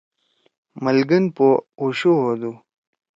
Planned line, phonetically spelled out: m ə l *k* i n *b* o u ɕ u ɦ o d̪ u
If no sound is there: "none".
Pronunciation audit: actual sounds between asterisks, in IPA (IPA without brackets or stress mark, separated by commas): ɡ, p